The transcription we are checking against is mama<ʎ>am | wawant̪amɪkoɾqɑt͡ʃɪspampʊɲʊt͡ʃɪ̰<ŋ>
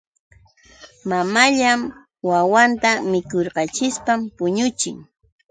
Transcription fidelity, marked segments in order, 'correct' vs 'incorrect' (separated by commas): correct, correct